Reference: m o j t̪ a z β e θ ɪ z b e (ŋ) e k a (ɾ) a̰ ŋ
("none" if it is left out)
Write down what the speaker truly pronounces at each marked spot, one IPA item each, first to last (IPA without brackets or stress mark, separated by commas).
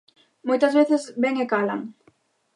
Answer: ŋ, l